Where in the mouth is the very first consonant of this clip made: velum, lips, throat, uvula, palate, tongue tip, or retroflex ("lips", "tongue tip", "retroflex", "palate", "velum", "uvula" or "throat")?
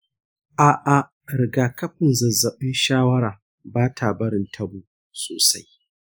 throat